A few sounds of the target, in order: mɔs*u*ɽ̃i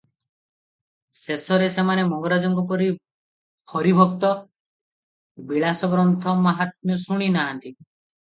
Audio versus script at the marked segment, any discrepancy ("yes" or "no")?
no